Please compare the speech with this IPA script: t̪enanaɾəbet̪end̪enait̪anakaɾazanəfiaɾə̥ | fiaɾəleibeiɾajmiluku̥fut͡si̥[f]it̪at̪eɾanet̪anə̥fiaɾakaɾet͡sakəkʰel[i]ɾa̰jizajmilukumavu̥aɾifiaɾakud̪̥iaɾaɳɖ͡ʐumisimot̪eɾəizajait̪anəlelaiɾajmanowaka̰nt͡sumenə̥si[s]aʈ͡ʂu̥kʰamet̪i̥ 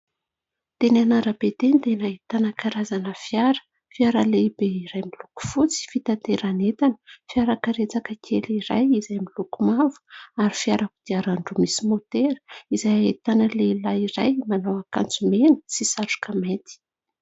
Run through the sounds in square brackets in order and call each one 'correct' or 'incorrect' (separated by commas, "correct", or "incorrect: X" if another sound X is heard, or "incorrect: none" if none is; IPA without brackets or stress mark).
correct, correct, correct